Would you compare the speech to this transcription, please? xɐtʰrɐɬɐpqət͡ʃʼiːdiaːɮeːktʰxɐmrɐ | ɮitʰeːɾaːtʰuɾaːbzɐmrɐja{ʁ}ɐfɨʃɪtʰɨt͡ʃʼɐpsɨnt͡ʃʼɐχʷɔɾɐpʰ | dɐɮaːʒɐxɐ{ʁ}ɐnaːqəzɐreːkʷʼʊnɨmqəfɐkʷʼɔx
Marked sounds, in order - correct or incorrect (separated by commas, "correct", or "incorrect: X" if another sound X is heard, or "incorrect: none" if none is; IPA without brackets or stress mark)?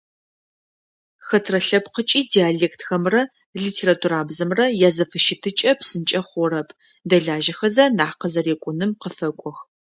incorrect: z, incorrect: z